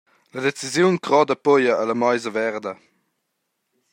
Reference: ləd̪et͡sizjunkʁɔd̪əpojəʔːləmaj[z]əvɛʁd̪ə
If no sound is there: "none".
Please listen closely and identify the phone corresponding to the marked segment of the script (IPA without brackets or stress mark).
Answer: z